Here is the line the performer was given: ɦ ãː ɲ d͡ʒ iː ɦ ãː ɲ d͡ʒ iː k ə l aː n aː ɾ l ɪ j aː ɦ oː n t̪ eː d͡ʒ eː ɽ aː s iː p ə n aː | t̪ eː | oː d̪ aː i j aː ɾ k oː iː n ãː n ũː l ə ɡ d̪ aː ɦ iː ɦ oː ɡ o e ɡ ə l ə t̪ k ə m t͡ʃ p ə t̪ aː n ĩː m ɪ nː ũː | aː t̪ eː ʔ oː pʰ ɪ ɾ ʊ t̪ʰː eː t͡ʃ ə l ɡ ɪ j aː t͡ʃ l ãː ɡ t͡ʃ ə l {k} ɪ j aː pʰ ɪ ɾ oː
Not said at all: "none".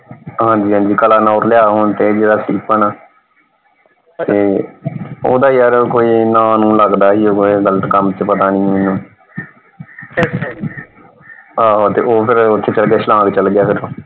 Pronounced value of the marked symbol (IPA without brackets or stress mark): ɡ